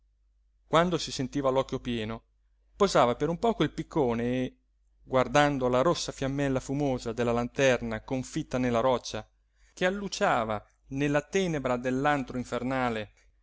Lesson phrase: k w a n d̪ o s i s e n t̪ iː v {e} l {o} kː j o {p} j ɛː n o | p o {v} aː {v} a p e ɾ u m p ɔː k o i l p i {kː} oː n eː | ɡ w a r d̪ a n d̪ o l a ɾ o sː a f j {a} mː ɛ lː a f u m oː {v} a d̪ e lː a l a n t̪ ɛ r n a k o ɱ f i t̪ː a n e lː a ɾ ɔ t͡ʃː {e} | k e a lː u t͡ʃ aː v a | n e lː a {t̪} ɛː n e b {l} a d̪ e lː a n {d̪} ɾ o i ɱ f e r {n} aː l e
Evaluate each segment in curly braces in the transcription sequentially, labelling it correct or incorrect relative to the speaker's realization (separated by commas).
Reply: incorrect, incorrect, correct, incorrect, correct, correct, correct, incorrect, incorrect, correct, incorrect, incorrect, correct